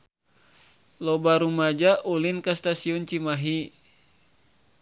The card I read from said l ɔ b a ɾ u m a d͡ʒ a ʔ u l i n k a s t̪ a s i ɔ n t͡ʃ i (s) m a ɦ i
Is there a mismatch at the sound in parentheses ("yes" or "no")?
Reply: yes